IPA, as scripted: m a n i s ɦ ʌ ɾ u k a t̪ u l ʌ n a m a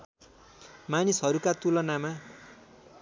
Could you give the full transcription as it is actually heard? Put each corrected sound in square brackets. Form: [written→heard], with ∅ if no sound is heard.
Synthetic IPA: m a n i s ɦ ʌ ɾ u k a t̪ u l ʌ n a m a

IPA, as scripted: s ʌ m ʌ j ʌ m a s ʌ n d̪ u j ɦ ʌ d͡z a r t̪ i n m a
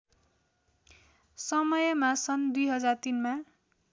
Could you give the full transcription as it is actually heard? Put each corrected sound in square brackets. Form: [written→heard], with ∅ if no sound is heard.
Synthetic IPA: s ʌ m ʌ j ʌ m a s ʌ n d̪ u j ɦ ʌ d͡z a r t̪ i n m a

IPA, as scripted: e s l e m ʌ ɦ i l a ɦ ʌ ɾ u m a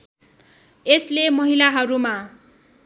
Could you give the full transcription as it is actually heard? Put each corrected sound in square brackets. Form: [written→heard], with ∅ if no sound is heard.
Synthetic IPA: e s l e m ʌ ɦ i l a ɦ ʌ ɾ u m a

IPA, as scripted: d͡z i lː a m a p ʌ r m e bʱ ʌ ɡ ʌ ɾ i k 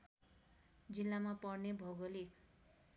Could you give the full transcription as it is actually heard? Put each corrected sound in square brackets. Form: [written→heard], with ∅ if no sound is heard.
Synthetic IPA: d͡z i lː a m a p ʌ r [m→n] e bʱ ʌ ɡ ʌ [ɾ→l] i k

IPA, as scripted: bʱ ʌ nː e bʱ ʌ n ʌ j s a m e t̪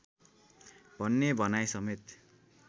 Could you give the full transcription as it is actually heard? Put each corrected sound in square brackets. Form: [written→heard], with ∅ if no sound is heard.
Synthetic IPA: bʱ ʌ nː e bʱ ʌ n [ʌ→a] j s [a→ʌ] m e t̪

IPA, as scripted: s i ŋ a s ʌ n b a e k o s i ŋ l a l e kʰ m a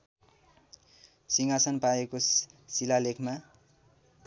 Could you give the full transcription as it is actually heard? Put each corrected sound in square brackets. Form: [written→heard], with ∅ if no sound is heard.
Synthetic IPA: s i ŋ a s ʌ n [b→p] a e k o s i [ŋ→∅] l a l e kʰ m a

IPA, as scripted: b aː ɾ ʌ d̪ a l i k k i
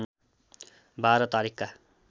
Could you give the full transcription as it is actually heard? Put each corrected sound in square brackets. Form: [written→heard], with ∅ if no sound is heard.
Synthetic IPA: b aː ɾ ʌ [d̪→t̪] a [l→ɾ] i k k [i→a]

